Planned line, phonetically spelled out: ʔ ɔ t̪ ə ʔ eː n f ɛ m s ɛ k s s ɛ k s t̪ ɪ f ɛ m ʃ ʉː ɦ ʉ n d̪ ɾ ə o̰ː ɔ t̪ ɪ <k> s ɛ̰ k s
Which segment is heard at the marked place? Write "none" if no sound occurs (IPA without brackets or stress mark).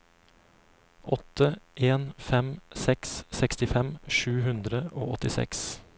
none